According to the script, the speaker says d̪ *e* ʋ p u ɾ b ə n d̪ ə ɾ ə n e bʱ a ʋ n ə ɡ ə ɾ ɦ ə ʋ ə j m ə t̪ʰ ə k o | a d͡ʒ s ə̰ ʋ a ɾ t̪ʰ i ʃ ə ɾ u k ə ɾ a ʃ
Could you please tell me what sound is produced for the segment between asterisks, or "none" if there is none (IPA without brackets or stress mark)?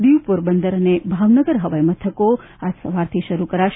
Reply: i